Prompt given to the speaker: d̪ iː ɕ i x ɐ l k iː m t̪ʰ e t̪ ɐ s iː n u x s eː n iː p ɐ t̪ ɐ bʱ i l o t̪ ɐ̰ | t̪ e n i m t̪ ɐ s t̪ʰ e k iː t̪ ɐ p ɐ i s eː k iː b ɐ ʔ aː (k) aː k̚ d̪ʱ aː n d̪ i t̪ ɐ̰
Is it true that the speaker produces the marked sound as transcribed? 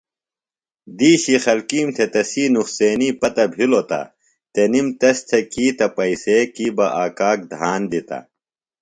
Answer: yes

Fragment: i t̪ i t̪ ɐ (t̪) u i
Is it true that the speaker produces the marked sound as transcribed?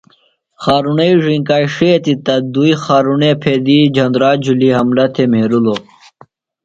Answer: no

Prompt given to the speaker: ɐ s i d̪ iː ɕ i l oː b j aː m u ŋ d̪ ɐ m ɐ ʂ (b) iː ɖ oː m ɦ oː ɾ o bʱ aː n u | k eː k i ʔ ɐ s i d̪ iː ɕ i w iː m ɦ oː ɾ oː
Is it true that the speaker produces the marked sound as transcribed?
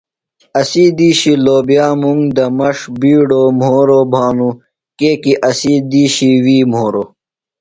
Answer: yes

